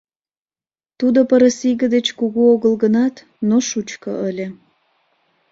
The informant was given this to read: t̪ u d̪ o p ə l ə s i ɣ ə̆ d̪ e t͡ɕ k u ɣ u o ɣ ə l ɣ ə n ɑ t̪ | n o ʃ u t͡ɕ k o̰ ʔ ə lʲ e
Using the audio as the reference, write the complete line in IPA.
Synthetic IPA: t̪ u d̪ o p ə ɾ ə s i ɣ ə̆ d̪ e t͡ɕ k u ɣ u o ɣ ə l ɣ ə n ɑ t̪ | n o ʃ u t͡ɕ k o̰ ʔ ə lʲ e

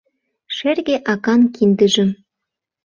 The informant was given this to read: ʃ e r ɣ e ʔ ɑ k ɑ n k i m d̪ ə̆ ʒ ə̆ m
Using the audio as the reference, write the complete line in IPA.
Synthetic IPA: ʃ e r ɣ e ʔ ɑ k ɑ n k i n d̪ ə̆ ʒ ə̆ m

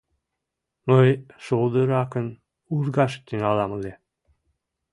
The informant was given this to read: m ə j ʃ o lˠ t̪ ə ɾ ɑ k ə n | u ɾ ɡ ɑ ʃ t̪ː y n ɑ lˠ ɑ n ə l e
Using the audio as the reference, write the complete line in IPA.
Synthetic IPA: m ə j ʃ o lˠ d̪ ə ɾ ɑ k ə n | u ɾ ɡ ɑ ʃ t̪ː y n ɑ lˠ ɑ m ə l e

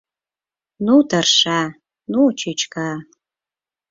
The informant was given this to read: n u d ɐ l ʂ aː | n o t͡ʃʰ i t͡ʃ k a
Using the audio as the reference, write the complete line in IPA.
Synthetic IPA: n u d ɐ r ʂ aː | n u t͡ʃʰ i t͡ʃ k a

